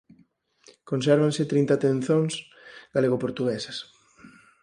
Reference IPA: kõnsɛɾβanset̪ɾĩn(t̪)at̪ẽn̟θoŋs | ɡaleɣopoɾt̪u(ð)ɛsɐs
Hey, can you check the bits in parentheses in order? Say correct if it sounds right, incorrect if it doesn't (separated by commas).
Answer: correct, incorrect